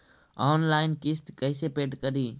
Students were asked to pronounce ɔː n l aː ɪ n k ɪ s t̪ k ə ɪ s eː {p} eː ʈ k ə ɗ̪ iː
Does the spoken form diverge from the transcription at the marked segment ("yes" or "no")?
no